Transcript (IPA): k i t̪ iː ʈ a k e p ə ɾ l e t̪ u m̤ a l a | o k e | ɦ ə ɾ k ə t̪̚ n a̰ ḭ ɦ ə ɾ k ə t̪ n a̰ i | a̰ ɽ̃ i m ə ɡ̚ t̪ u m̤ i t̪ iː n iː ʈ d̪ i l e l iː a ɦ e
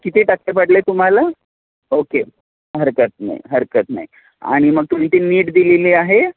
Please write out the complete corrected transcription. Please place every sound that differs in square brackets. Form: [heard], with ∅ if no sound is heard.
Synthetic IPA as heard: k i t̪ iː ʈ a k e p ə [ɽ] l e t̪ u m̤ a l a | o k e | ɦ ə ɾ k ə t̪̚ n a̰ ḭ ɦ ə ɾ k ə t̪ n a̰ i | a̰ ɽ̃ i m ə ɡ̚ t̪ u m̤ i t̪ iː n iː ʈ d̪ i l e l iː a ɦ e